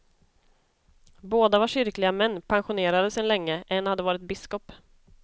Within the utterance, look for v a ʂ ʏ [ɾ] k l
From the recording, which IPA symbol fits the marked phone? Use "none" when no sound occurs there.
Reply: ɾ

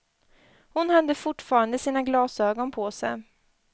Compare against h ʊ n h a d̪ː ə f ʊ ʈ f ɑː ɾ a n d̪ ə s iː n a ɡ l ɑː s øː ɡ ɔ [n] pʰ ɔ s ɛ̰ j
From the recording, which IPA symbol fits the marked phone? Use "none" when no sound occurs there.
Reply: n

